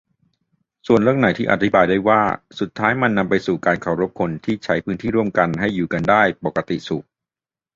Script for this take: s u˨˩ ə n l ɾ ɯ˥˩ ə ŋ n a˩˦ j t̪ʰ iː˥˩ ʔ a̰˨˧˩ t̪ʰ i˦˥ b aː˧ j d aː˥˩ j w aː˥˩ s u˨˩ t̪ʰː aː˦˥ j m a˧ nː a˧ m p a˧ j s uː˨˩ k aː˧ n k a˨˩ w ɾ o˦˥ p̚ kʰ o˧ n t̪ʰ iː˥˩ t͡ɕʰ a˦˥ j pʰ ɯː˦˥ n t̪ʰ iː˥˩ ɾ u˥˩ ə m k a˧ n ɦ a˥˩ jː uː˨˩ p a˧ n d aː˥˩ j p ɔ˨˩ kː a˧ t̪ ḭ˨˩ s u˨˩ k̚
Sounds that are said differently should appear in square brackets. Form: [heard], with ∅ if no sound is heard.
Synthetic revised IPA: s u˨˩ ə n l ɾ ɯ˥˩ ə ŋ n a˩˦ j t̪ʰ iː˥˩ ʔ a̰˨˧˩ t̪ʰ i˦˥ b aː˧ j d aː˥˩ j w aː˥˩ s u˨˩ t̪ʰː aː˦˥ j m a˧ nː a˧ m p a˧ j s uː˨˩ k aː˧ n [kʰ] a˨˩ w ɾ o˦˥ p̚ kʰ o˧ n t̪ʰ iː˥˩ t͡ɕʰ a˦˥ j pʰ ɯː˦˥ n t̪ʰ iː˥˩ ɾ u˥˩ ə m k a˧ n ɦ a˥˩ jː uː˨˩ [k] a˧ n d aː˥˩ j p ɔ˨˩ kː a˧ t̪ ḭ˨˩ s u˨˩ k̚

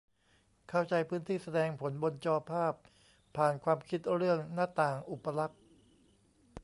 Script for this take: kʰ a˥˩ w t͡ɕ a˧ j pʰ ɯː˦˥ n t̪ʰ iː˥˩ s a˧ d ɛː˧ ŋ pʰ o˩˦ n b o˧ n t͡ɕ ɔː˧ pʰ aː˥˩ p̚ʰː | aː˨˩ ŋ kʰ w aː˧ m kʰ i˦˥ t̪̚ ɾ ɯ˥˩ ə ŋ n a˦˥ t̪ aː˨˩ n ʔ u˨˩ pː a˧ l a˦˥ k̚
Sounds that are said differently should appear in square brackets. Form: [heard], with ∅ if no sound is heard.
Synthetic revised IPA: kʰ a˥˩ w t͡ɕ a˧ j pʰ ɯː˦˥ n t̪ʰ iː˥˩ s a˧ d ɛː˧ ŋ pʰ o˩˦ n b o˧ n t͡ɕ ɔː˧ pʰ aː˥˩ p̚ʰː | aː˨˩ [n] kʰ w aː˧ m kʰ i˦˥ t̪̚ ɾ ɯ˥˩ ə ŋ n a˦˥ t̪ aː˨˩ [ŋ] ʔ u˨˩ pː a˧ l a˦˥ k̚

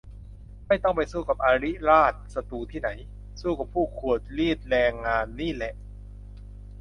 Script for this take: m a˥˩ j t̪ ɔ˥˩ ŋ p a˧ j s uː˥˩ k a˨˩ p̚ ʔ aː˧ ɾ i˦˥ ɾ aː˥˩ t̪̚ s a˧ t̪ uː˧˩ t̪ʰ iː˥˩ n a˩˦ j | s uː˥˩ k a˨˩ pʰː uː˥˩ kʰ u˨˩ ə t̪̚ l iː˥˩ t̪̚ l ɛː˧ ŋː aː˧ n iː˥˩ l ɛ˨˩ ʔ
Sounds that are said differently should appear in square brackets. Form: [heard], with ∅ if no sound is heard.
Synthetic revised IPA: m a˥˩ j t̪ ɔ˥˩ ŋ p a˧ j s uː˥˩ k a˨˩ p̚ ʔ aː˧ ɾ i˦˥ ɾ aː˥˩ t̪̚ s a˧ t̪ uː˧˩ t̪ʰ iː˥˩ n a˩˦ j | s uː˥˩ k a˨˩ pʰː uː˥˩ kʰ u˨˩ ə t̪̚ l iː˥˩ t̪̚ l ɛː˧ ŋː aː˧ [nː] iː˥˩ l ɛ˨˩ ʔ

